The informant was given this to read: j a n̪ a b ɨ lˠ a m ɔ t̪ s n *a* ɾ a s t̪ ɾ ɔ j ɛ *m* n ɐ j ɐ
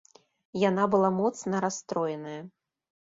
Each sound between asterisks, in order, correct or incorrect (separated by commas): incorrect, incorrect